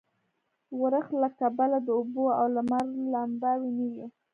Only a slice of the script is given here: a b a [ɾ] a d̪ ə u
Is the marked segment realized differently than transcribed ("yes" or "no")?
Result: yes